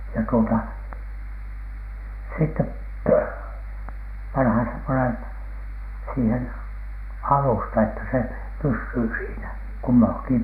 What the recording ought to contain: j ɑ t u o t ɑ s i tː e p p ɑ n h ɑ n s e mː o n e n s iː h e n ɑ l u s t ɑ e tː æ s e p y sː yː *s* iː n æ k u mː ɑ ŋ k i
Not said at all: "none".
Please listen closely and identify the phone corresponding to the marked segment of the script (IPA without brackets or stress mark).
s